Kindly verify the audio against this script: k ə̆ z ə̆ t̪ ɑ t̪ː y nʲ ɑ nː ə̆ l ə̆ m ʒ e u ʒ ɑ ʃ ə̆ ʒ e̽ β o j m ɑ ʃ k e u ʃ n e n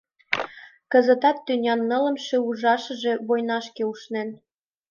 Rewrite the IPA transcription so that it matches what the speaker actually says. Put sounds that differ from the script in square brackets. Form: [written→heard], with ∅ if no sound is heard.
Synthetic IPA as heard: k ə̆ z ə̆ t̪ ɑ t̪ː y nʲ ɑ nː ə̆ l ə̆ m [ʒ→ʃ] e u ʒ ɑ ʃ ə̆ ʒ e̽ β o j [m→n] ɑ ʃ k e u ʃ n e n

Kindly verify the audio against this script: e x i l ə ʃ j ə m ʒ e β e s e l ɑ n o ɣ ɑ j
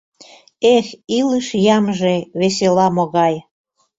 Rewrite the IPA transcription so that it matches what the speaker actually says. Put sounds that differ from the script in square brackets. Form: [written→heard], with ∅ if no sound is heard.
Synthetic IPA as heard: e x i l ə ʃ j [ə→ɑ] m ʒ e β e s e l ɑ [n→m] o ɣ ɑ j

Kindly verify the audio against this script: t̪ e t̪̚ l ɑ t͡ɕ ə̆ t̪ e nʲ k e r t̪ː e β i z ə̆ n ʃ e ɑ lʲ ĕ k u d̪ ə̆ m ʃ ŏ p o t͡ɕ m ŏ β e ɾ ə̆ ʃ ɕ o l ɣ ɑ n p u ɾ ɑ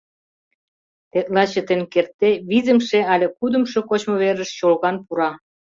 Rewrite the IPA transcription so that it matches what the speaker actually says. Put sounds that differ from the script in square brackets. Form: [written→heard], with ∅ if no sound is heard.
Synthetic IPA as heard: t̪ e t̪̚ l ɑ t͡ɕ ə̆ t̪ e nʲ k e r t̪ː e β i z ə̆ [n→m] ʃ e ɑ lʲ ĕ k u d̪ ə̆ m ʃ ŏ [p→k] o t͡ɕ m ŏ β e ɾ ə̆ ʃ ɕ o l ɣ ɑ n p u ɾ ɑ

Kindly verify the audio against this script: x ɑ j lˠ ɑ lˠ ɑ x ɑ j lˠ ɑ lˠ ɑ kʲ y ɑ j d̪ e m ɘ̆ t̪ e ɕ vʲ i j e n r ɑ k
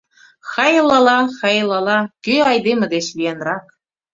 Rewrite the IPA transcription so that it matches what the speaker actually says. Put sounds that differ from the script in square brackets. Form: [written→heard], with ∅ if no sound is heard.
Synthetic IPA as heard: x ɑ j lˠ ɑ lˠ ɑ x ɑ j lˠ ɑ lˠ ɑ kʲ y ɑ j d̪ e m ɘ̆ [t̪→d̪] e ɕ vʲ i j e n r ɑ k

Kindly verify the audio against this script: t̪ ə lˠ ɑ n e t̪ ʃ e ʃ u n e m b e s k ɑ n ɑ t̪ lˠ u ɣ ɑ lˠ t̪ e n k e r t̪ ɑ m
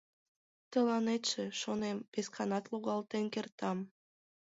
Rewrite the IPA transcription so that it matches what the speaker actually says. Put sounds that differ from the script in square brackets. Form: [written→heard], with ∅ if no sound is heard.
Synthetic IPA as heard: t̪ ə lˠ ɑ n e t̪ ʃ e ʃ [u→o] n e m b e s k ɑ n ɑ t̪ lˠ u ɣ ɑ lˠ t̪ e n k e r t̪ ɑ m

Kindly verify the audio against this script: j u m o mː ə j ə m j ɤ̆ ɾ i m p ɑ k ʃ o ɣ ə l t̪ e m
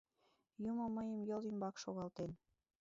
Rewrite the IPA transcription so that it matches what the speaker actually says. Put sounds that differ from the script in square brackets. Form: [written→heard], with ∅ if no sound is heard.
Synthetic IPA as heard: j u m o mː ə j ə m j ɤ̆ [ɾ→l] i m [p→b] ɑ k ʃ o ɣ [ə→ɑ] l t̪ e [m→n]

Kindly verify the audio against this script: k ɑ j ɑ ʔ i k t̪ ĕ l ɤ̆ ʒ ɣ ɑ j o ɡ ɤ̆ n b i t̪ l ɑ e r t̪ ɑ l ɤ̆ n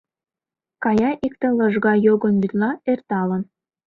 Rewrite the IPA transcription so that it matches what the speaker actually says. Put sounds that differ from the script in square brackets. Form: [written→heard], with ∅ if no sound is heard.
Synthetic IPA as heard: k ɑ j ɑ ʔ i k t̪ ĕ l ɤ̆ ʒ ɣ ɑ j o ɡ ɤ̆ n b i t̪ l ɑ e r t̪ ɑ l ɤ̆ n

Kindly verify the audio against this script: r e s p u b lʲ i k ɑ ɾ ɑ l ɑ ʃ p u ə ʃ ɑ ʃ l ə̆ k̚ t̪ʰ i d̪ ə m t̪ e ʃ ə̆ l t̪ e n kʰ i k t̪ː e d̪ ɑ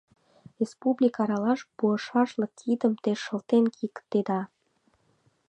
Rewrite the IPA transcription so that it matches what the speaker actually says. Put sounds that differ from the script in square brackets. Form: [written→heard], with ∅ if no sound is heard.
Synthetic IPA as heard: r e s p u b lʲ i k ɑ ɾ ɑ l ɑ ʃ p u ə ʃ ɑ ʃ l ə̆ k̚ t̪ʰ i d̪ ə m t̪ e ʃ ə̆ l t̪ e n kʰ i k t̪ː e d̪ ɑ

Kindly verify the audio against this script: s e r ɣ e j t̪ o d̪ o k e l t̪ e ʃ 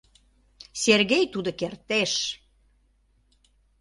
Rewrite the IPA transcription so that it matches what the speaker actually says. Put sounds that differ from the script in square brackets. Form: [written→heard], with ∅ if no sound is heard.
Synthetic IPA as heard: s e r ɣ e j t̪ [o→u] d̪ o k e [l→r] t̪ e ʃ

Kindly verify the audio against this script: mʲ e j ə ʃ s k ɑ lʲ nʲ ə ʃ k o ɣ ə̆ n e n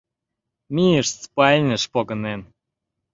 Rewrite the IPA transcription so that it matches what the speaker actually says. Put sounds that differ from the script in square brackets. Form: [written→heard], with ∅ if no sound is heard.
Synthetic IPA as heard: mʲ [e→i] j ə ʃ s [k→p] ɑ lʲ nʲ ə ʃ [k→p] o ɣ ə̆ n e n

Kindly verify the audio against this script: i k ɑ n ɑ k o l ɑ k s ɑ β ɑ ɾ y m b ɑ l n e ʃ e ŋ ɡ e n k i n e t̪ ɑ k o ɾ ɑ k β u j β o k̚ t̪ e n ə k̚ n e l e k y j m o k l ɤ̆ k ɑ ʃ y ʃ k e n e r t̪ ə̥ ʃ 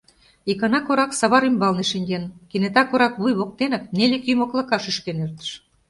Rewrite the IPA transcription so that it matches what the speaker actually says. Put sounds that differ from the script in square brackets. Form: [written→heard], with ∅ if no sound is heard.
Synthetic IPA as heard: i k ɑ n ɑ k o [l→ɾ] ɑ k s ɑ β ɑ ɾ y m b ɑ l n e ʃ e ŋ ɡ e n k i n e t̪ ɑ k o ɾ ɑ k β u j β o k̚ t̪ e n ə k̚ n e l e k y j m o k l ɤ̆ k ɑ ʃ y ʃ k e n e r t̪ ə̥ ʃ

